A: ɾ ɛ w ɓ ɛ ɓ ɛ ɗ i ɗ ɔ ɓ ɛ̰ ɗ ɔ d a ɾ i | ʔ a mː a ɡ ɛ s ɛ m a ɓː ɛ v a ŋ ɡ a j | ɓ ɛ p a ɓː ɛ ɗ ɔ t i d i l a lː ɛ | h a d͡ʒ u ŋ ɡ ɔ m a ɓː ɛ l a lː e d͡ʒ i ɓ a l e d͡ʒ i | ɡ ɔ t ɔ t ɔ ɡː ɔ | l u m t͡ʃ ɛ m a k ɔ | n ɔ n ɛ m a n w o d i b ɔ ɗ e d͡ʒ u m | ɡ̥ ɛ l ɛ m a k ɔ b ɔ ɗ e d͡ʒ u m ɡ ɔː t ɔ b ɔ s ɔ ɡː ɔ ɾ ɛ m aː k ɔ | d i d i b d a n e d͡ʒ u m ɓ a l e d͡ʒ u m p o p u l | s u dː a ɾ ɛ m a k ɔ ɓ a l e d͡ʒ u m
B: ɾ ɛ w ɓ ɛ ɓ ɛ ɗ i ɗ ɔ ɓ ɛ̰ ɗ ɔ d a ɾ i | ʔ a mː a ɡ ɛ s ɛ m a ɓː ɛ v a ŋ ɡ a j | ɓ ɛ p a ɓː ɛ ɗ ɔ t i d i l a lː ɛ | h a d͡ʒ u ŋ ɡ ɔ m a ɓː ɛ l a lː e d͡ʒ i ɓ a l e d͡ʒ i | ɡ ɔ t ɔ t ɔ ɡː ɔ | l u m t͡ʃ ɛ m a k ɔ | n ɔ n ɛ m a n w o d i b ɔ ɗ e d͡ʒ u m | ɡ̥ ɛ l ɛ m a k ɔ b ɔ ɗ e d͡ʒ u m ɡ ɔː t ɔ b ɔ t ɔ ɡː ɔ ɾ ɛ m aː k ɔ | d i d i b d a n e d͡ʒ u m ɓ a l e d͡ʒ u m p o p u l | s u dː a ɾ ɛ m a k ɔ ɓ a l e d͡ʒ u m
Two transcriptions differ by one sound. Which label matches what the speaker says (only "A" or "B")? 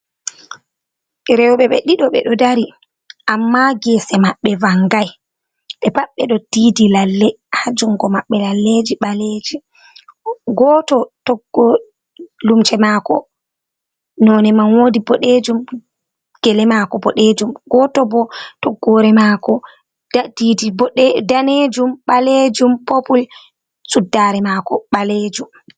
B